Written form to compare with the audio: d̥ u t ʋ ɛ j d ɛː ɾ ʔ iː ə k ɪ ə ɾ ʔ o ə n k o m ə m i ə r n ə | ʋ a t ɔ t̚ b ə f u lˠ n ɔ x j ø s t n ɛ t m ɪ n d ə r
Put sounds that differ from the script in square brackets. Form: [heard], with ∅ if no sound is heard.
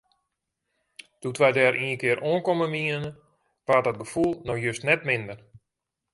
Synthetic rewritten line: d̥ u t ʋ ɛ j d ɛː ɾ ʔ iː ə k ɪ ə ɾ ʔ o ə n k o m ə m i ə [∅] n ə | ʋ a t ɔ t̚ [ɡ] ə f u lˠ n ɔ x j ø s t n ɛ t m ɪ n d ə r